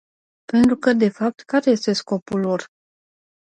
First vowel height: mid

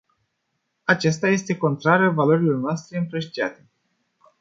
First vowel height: low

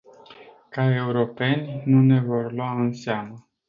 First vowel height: low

